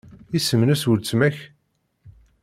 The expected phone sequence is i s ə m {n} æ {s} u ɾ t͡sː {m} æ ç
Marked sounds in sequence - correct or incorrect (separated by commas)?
correct, correct, correct